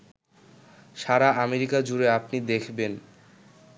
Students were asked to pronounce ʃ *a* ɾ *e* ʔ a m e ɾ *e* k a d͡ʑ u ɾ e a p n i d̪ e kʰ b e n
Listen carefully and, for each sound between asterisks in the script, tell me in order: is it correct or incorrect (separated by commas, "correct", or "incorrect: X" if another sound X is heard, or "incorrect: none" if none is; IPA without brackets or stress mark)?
correct, incorrect: a, incorrect: i